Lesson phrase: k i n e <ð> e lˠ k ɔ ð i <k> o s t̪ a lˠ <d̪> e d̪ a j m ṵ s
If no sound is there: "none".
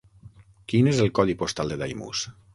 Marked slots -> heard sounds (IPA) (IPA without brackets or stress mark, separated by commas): z, p, d̪